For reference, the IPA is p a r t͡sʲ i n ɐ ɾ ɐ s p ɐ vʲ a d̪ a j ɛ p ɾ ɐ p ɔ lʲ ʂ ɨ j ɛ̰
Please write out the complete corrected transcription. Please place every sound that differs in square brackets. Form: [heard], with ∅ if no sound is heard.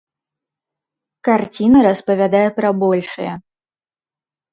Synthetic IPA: [k] a r t͡sʲ i n ɐ ɾ ɐ s p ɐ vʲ a d̪ a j ɛ p ɾ ɐ [b] ɔ lʲ ʂ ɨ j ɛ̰